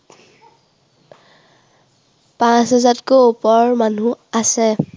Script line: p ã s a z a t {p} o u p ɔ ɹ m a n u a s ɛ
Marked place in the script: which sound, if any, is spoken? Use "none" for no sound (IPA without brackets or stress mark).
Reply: k